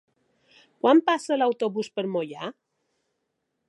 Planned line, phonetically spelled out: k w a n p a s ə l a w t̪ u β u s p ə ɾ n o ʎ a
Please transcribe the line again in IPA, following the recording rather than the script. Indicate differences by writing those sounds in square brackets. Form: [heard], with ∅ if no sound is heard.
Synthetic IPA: k w a [m] p a s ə l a w t̪ [o] β u s p ə ɾ [m] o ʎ a